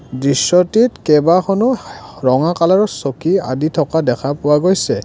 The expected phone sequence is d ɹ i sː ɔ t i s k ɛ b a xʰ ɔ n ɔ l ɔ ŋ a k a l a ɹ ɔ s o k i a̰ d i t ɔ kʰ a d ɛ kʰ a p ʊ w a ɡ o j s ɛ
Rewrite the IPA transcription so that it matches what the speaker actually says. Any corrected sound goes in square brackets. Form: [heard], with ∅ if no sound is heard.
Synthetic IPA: d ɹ i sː ɔ t i [t] k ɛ b a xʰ ɔ n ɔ [ɹ] ɔ ŋ a k a l a ɹ ɔ s o k i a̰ d i [tʰ] ɔ [k] a d ɛ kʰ a p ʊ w a ɡ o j s ɛ